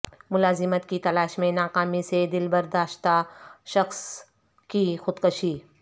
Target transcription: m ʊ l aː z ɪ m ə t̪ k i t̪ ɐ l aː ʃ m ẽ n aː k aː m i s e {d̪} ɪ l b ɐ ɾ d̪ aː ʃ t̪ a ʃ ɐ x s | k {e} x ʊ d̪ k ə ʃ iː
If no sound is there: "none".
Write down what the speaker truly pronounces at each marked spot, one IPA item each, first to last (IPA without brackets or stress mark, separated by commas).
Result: d̪, i